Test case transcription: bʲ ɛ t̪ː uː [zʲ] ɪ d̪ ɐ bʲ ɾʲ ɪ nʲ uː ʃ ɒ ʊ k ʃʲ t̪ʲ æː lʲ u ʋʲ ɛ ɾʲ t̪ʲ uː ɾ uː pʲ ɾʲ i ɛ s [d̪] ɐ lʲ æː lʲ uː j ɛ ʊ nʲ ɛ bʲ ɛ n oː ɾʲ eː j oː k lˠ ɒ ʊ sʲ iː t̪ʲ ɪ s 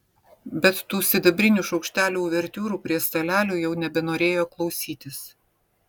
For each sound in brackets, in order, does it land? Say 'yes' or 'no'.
no, no

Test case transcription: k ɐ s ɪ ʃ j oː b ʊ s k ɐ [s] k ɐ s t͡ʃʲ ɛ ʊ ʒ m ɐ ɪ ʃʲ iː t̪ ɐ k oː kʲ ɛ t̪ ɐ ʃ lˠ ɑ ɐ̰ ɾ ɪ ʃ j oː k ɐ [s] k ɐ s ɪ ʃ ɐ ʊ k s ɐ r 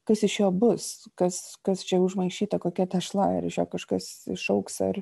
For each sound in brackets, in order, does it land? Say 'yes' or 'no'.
yes, no

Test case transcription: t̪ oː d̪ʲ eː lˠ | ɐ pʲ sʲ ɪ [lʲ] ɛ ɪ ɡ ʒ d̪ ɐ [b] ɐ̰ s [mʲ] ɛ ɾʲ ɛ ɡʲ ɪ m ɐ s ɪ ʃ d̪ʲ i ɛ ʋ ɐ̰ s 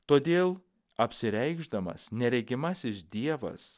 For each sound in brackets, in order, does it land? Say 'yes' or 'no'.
no, no, no

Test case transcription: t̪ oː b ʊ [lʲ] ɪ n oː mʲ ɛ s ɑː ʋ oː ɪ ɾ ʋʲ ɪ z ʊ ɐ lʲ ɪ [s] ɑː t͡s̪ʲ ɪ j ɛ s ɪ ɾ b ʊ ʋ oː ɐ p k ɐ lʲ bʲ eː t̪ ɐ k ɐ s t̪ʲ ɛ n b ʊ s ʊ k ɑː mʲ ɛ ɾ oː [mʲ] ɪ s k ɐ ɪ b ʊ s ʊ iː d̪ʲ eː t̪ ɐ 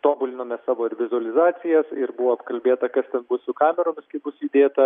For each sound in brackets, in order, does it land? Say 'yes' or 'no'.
yes, no, yes

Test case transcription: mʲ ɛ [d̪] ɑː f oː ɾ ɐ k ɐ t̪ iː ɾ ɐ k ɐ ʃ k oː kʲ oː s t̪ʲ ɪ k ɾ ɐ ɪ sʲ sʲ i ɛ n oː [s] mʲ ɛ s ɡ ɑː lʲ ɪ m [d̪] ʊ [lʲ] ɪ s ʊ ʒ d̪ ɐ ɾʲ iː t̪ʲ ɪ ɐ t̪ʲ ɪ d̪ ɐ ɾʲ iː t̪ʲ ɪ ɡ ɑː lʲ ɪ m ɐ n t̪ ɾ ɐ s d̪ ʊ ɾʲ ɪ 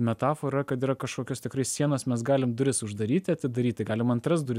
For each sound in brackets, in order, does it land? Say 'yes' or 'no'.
no, yes, yes, no

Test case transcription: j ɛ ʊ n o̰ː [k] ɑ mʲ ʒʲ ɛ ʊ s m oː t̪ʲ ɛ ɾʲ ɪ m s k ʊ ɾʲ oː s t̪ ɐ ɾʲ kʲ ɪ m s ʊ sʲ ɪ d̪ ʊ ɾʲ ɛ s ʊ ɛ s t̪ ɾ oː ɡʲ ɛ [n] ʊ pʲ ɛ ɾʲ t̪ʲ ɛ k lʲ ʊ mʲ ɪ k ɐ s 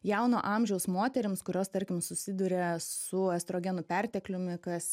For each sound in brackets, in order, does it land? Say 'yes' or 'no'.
no, yes

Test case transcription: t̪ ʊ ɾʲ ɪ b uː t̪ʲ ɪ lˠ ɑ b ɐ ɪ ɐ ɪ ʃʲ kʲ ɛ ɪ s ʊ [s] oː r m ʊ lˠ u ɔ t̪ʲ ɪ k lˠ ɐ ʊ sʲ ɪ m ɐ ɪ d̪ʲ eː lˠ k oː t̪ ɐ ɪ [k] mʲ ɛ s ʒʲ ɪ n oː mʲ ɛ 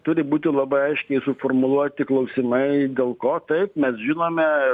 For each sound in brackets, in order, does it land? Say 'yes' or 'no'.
no, no

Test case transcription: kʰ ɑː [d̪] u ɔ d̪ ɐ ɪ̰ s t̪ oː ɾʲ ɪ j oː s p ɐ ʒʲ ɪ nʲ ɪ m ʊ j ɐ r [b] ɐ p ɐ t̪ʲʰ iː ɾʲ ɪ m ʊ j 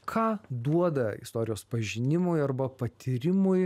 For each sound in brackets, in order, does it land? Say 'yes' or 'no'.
yes, yes

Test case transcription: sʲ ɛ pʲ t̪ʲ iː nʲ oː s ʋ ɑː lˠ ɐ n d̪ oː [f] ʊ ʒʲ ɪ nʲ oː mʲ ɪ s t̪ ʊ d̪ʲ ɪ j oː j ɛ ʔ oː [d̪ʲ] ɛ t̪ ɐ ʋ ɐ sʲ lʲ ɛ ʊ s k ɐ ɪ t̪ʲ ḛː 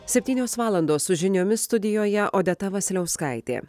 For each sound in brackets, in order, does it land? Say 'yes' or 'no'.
no, yes

